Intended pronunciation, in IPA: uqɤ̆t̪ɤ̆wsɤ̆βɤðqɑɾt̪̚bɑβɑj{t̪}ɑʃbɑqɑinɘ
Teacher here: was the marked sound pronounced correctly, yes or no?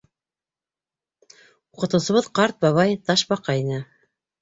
yes